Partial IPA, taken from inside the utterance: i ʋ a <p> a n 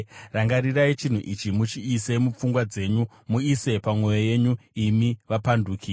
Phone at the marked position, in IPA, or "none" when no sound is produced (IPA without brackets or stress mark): p